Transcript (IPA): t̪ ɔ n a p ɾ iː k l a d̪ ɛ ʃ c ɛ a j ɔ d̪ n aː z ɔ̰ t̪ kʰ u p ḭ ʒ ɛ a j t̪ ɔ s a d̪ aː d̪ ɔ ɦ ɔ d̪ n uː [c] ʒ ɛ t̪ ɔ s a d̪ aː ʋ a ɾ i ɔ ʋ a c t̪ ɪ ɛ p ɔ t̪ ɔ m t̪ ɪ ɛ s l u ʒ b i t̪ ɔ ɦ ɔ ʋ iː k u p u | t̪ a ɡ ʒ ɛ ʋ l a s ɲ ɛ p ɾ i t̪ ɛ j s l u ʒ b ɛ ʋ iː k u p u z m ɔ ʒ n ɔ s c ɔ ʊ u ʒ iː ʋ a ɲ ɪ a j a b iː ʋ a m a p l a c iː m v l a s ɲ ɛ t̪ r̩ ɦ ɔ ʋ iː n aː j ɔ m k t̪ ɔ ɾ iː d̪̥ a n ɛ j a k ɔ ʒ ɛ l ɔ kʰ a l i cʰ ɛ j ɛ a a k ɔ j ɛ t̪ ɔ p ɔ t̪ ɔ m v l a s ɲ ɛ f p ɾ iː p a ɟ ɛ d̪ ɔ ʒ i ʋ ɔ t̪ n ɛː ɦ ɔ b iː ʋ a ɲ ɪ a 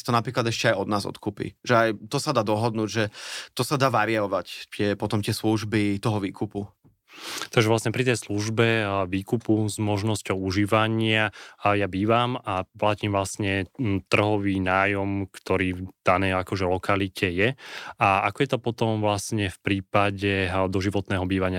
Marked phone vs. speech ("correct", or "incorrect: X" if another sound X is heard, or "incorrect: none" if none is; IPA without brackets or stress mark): incorrect: ɟ